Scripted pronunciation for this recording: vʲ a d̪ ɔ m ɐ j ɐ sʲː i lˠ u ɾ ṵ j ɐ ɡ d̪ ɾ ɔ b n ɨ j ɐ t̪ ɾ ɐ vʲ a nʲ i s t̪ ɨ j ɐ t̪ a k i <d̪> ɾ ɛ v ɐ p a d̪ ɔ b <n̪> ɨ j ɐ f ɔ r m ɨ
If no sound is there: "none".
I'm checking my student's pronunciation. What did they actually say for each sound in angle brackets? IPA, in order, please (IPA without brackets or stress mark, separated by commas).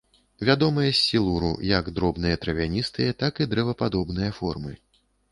d̪, n̪